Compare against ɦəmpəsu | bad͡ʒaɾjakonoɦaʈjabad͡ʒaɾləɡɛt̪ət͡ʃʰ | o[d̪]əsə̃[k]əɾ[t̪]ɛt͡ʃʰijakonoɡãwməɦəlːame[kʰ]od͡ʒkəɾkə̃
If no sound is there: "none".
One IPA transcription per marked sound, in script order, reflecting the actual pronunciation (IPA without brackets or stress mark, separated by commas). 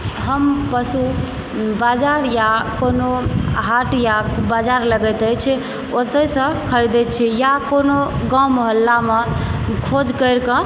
t̪, kʰ, d̪, kʰ